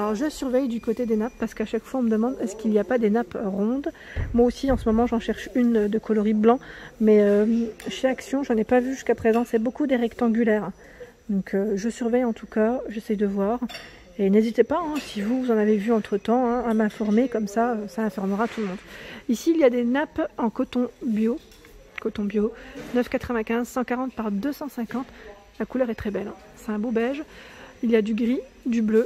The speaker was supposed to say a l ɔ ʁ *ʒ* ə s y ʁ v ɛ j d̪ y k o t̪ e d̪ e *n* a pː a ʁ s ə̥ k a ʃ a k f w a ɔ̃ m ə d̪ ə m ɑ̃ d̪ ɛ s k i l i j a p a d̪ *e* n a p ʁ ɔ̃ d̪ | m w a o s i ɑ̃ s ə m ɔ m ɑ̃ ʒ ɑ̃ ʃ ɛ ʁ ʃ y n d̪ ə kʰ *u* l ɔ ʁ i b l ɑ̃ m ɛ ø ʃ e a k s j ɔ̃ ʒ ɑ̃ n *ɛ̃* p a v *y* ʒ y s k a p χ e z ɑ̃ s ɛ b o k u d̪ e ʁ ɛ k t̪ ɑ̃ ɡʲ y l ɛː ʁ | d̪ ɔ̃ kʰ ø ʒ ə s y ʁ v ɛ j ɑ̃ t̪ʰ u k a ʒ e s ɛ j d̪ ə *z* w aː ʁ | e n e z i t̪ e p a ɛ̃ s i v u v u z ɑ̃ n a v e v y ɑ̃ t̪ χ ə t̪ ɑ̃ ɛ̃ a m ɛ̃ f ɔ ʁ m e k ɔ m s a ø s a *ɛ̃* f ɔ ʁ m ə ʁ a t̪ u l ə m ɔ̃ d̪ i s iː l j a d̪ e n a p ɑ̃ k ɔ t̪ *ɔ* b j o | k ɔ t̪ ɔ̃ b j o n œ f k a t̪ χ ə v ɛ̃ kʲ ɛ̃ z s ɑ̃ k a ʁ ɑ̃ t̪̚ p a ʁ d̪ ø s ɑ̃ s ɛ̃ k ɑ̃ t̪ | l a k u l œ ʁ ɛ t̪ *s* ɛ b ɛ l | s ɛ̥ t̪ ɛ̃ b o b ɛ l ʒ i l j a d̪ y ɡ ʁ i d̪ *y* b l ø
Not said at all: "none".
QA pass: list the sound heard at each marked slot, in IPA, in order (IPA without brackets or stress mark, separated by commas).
ʒ, n, e, ɔ, ɛ, y, v, ɛ̃, ɔ̃, χ, y